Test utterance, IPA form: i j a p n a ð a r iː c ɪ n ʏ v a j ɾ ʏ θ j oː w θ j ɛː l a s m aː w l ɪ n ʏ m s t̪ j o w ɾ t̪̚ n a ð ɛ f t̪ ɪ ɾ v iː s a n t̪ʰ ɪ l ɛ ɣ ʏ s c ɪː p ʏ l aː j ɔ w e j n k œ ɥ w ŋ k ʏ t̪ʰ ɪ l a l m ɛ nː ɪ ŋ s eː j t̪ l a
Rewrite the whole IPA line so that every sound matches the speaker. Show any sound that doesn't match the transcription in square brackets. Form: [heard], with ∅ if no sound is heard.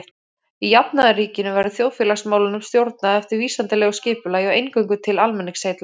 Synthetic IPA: i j a p n a ð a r iː c ɪ n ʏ v a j ɾ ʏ θ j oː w [f] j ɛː l a s m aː w l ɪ n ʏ m s t̪ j o w ɾ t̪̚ n a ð ɛ f t̪ ɪ ɾ v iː s a n [t̪] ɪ l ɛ ɣ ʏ s c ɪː p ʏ l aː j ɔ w e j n k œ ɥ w ŋ k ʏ t̪ʰ ɪ l a l m ɛ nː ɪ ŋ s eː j t̪ l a